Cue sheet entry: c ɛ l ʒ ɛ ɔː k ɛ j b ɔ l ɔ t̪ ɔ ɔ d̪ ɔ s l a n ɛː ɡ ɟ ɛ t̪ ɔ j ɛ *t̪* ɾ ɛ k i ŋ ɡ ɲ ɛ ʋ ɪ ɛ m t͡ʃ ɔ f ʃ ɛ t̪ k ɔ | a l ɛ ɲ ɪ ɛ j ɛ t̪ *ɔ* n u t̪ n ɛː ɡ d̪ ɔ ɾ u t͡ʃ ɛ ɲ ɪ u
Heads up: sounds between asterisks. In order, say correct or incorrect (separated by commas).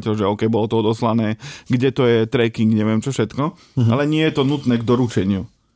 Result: correct, correct